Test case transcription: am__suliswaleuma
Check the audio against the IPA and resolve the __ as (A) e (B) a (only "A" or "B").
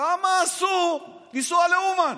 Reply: B